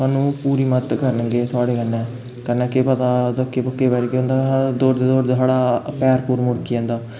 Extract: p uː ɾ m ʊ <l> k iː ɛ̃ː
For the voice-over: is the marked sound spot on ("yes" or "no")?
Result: no